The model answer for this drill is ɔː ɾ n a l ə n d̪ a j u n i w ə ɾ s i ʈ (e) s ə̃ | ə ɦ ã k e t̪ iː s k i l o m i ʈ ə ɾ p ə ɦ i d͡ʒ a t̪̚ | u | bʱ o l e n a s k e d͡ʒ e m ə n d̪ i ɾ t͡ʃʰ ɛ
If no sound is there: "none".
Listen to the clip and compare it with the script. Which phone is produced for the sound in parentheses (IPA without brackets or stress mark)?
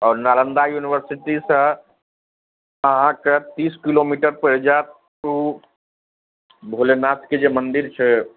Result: i